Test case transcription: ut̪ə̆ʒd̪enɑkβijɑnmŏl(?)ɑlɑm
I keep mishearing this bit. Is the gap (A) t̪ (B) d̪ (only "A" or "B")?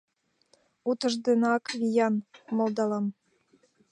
B